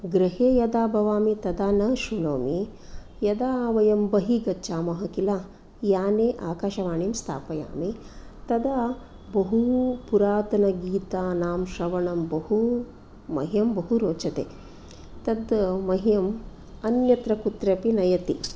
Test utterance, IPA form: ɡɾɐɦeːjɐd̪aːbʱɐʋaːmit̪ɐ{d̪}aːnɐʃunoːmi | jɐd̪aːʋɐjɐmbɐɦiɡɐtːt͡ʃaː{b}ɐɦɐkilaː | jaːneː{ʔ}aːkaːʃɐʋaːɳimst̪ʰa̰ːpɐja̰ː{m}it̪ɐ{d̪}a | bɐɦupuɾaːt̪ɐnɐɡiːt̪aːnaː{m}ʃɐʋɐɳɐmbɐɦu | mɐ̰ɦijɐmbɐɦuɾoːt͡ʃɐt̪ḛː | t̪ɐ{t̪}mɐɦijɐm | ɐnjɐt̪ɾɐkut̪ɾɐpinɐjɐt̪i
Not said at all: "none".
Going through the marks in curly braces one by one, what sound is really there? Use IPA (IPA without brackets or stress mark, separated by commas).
d̪, m, ʔ, m, d̪, m, d̪